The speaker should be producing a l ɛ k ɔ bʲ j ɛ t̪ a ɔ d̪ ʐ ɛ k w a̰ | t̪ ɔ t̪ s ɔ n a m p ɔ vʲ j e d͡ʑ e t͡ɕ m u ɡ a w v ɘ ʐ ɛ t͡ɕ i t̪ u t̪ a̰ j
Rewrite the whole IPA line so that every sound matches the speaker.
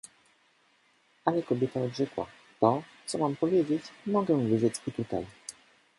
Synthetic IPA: a l ɛ k ɔ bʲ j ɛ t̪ a ɔ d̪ ʐ ɛ k w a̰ | t̪ ɔ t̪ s ɔ m a m p ɔ vʲ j e d͡ʑ e t͡ɕ m ɔ ɡ ɛ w v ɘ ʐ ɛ t͡ɕ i t̪ u t̪ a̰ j

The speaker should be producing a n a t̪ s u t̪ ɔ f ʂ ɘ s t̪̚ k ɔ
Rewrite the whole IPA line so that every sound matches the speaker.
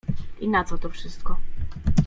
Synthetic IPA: i n a t̪ s ɔ t̪ ɔ f ʂ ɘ s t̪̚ k ɔ

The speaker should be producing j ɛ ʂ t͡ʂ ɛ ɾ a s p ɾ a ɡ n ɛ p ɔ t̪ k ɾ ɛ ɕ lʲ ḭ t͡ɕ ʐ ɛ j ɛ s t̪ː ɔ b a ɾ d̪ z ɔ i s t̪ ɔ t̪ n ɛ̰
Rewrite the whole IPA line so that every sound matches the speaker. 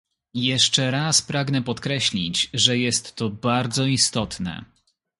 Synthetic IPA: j ɛ ʂ t͡ʂ ɛ ɾ a s p ɾ a ɡ n ɛ p ɔ t̪ k ɾ ɛ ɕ lʲ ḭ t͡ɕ ʐ ɛ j ɛ s t̪ː ɔ b a ɾ d̪ z ɔ i s t̪ ɔ t̪ n ɛ̰

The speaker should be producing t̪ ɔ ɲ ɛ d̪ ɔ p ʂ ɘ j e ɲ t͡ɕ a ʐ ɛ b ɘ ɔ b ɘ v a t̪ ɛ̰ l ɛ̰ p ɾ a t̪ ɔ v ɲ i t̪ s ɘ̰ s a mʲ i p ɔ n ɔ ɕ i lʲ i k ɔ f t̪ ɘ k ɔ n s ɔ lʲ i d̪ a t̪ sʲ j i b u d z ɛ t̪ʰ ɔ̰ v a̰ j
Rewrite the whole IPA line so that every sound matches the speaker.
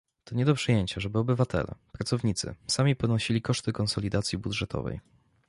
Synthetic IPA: t̪ ɔ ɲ ɛ d̪ ɔ p ʂ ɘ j e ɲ t͡ɕ a ʐ ɛ b ɘ ɔ b ɘ v a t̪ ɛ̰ l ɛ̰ p ɾ a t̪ ɔ v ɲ i t̪ s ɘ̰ s a mʲ i p ɔ n ɔ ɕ i lʲ i k ɔ ʂ t̪ ɘ k ɔ n s ɔ lʲ i d̪ a t̪ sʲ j i b u d ʐ ɛ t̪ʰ ɔ̰ v ɛ̰ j

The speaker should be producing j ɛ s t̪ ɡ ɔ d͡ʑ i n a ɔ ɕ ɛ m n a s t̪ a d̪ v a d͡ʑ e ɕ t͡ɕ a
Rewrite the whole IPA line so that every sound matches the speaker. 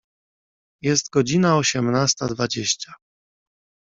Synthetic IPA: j ɛ s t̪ ɡ ɔ d͡ʑ i n a ɔ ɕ ɛ m n a s t̪ a d̪ v a d͡ʑ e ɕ t͡ɕ a

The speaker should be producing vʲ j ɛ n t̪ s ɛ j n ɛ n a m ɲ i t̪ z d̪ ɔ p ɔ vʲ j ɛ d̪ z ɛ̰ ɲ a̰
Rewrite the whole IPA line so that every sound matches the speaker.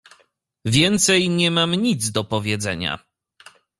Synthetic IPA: vʲ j ɛ n t̪ s ɛ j ɲ ɛ m a m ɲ i d̪ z d̪ ɔ p ɔ vʲ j ɛ d̪ z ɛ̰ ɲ a̰

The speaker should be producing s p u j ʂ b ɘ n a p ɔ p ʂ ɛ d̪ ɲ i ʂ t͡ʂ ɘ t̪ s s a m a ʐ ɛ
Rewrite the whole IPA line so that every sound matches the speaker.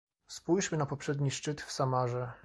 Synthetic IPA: s p u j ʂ m ɘ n a p ɔ p ʂ ɛ d̪ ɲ i ʂ t͡ʂ ɘ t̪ f s a m a ʐ ɛ

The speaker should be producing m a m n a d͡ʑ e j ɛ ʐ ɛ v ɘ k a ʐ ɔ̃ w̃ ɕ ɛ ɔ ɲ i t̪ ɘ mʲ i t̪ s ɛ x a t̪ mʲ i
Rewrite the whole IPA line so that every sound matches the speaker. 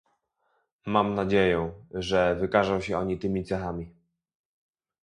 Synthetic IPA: m a m n a d͡ʑ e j ɛ ʐ ɛ v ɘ k a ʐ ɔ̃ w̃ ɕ ɛ ɔ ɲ i t̪ ɘ mʲ i t̪ s ɛ x a mʲ i

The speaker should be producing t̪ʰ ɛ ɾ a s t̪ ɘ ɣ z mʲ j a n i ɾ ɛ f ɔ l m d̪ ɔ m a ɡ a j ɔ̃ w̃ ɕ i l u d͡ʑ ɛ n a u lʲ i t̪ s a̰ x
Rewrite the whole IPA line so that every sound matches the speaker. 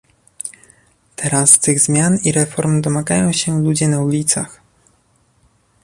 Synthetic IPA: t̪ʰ ɛ ɾ a s t̪ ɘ ɣ z mʲ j a n i ɾ ɛ f ɔ ɾ m d̪ ɔ m a ɡ a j ɔ̃ w̃ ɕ ɛ l u d͡ʑ ɛ n a u lʲ i t̪ s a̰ x

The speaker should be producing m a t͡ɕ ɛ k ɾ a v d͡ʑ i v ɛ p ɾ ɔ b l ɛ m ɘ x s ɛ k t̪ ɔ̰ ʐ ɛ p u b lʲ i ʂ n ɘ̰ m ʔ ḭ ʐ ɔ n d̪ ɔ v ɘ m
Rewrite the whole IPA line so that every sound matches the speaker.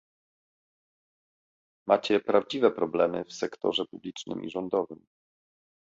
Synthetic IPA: m a t͡ɕ ɛ p ɾ a v d͡ʑ i v ɛ p ɾ ɔ b l ɛ m ɘ f s ɛ k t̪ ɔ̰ ʐ ɛ p u b lʲ i t͡ʂ n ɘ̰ m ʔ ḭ ʐ ɔ n d̪ ɔ v ɘ m

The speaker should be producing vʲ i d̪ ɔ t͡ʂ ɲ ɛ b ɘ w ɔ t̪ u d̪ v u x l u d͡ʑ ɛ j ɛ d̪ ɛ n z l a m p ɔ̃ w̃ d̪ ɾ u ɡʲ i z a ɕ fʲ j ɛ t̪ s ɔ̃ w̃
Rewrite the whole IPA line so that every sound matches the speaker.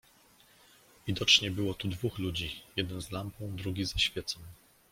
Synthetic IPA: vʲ i d̪ ɔ t͡ʂ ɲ ɛ b ɘ w ɔ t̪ u d̪ v u x l u d͡ʑ i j ɛ d̪ ɛ n z l a m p ɔ̃ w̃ d̪ ɾ u ɡʲ i z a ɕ fʲ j ɛ t̪ s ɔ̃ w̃

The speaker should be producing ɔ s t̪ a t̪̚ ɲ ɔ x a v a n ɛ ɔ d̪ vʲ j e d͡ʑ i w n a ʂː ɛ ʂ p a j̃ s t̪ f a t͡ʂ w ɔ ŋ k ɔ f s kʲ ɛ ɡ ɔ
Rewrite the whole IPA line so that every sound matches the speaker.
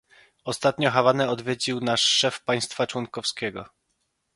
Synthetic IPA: ɔ s t̪ a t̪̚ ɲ ɔ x a v a n ɛ ɔ d̪ vʲ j e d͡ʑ i w n a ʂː ɛ f p a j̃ s t̪ f a t͡ʂ w ɔ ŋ k ɔ f s kʲ ɛ ɡ ɔ

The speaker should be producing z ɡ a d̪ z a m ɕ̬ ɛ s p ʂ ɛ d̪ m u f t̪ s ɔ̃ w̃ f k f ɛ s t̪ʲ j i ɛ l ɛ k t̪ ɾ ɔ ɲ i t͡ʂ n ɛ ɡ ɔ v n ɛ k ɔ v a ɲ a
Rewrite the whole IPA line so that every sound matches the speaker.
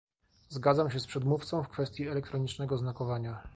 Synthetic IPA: z ɡ a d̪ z a m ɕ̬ ɛ s p ʂ ɛ d̪ m u f t̪ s ɔ̃ w̃ f k f ɛ s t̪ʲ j i ɛ l ɛ k t̪ ɾ ɔ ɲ i t͡ʂ n ɛ ɡ ɔ z n a k ɔ v a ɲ a

